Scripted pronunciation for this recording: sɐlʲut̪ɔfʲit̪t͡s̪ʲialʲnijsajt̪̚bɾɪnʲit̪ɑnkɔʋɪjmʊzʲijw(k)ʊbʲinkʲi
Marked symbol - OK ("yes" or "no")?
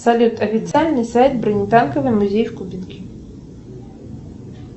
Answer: yes